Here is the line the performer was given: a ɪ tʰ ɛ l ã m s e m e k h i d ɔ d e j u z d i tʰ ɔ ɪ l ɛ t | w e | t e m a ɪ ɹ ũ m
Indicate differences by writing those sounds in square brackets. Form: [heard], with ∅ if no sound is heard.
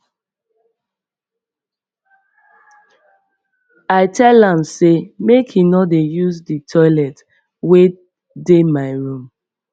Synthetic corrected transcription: a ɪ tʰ ɛ l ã m s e m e k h i [n] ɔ d e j u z d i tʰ ɔ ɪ l ɛ t | w e | [d] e m a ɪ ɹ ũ m